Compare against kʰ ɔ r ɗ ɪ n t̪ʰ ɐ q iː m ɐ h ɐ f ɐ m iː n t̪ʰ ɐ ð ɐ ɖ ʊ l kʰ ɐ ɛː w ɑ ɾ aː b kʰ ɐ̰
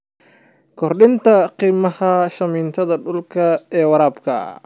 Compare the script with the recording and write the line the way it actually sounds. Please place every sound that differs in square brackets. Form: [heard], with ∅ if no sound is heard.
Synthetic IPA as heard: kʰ ɔ r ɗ ɪ n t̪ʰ ɐ q iː m ɐ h ɐ [ʃ] ɐ m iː n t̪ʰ ɐ ð ɐ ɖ ʊ l kʰ ɐ ɛː w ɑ ɾ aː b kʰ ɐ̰